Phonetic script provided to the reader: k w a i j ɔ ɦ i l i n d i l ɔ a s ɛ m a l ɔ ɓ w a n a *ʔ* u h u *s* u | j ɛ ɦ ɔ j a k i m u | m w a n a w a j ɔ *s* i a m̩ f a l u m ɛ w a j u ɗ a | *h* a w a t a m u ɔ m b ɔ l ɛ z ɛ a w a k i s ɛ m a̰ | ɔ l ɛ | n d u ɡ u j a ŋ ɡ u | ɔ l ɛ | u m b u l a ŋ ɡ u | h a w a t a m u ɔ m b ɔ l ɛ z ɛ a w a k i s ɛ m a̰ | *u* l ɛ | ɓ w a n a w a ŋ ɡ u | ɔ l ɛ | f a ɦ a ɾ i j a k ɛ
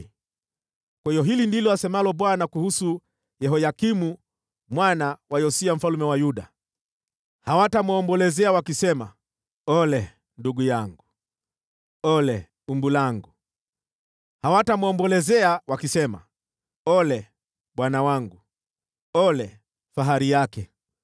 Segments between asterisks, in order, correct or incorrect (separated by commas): incorrect, correct, correct, correct, incorrect